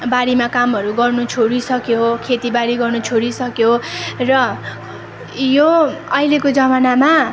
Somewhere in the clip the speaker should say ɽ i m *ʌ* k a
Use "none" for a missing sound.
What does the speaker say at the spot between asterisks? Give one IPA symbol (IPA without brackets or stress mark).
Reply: a